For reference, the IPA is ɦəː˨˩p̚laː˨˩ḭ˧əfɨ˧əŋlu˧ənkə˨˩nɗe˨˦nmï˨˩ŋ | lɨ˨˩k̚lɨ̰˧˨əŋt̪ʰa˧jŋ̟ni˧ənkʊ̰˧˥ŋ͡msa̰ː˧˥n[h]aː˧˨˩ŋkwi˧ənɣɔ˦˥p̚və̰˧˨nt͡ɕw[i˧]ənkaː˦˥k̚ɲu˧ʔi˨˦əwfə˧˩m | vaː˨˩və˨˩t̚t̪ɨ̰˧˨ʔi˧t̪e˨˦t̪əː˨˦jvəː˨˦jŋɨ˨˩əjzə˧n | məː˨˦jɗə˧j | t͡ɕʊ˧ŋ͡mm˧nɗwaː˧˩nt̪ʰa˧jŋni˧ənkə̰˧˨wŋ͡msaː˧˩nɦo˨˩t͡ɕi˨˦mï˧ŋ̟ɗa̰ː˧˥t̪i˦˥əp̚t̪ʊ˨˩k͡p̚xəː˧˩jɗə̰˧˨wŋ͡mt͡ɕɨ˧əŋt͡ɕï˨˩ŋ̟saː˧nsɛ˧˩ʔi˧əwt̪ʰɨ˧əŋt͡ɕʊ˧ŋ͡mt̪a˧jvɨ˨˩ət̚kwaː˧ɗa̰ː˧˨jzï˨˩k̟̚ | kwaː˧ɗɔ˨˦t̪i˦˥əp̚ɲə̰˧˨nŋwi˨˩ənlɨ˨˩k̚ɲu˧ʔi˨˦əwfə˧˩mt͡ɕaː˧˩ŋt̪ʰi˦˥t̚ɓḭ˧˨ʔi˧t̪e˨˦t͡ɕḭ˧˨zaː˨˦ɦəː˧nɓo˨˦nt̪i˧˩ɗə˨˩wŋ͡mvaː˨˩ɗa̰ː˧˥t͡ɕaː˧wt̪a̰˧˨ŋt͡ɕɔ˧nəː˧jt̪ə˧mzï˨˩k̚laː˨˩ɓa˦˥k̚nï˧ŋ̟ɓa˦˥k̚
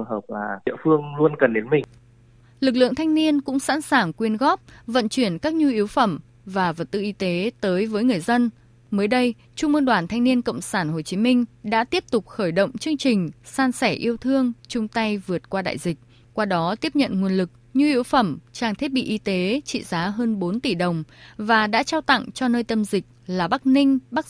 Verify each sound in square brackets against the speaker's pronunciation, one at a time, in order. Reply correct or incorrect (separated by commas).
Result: incorrect, incorrect